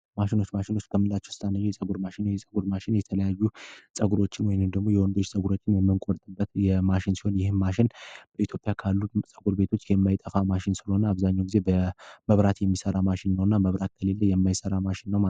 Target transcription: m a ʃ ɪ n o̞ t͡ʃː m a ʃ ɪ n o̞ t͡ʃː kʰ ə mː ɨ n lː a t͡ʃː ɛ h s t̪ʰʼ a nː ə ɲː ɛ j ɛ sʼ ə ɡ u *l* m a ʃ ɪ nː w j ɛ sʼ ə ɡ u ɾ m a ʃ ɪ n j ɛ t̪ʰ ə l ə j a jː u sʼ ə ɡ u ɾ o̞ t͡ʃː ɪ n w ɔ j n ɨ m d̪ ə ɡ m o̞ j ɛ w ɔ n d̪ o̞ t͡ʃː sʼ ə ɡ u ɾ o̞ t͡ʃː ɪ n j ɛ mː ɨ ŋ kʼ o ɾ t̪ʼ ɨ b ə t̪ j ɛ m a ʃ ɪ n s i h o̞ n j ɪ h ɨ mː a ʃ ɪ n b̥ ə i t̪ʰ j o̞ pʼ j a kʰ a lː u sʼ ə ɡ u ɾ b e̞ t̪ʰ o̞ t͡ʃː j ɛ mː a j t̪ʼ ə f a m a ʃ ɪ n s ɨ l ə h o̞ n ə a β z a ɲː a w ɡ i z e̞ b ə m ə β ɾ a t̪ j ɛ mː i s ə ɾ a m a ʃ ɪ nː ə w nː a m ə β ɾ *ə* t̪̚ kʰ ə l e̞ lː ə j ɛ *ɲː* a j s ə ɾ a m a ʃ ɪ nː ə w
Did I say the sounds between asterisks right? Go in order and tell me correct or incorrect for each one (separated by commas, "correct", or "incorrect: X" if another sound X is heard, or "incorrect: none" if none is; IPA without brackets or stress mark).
incorrect: ɾ, incorrect: a, incorrect: mː